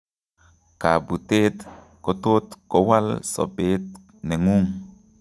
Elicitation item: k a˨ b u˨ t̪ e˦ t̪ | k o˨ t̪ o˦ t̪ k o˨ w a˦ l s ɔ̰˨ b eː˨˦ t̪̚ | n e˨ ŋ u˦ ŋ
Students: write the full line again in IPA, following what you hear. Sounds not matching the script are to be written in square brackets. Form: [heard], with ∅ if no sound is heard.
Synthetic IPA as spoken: k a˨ b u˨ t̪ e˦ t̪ | k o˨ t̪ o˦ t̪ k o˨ w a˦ l s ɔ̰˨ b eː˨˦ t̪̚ | n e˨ ŋ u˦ ŋ